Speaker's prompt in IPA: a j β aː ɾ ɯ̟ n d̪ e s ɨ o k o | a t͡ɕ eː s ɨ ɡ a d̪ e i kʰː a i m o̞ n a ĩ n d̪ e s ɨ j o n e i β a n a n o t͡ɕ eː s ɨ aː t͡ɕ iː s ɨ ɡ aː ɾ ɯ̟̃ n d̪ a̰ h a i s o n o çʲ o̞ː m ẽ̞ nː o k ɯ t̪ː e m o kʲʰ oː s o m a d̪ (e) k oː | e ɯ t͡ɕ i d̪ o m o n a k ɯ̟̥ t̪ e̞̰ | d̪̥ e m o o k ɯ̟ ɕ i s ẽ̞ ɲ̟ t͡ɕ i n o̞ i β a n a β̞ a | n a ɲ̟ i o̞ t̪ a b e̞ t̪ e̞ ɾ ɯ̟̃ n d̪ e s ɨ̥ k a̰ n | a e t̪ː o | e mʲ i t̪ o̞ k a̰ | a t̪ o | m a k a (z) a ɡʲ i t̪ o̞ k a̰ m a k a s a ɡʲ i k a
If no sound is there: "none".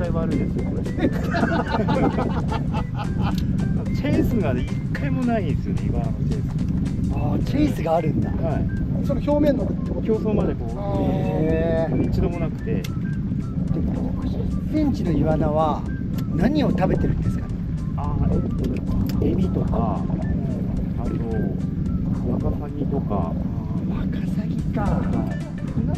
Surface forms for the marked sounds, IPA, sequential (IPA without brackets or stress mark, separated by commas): e, s